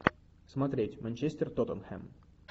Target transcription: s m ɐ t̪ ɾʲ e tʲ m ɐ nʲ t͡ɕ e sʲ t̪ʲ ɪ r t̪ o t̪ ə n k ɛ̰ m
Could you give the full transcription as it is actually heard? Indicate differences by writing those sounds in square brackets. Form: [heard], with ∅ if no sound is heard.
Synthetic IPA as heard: s m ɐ t̪ ɾʲ e tʲ m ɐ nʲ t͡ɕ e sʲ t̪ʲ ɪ r t̪ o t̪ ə n [x] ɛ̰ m